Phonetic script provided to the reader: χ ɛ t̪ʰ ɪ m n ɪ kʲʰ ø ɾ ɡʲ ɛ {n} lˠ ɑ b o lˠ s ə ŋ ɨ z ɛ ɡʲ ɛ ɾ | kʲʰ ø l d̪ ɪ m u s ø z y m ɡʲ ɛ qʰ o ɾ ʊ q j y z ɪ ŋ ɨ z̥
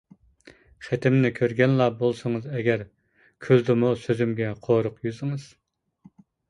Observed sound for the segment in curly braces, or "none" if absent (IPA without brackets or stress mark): n